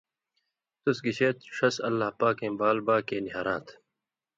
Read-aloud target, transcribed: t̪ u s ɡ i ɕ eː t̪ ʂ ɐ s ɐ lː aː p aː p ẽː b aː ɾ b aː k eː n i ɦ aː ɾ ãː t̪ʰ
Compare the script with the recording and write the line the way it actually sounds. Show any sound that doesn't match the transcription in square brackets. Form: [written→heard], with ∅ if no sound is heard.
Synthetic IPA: t̪ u s ɡ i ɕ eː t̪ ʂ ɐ s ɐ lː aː p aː [p→k] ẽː b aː [ɾ→l] b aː k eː n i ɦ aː ɾ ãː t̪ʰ